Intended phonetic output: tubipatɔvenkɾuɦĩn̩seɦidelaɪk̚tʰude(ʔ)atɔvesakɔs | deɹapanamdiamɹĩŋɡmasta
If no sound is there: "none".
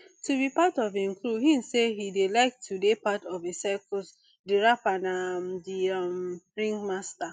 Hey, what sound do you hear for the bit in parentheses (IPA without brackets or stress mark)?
p